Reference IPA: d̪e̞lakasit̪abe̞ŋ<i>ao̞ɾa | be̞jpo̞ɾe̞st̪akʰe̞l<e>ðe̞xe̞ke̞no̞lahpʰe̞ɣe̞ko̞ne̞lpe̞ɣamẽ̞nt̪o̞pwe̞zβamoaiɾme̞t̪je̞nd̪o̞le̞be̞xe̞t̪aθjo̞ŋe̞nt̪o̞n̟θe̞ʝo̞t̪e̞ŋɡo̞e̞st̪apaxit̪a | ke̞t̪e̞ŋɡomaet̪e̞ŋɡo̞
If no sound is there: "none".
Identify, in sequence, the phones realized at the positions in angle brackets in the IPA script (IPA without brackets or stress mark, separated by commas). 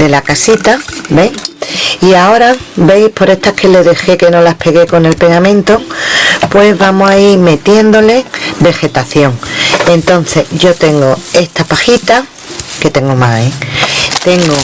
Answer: i, e